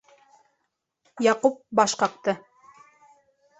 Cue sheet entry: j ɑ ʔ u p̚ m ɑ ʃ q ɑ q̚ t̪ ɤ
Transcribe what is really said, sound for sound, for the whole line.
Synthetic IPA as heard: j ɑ q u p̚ b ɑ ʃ q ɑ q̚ t̪ ɤ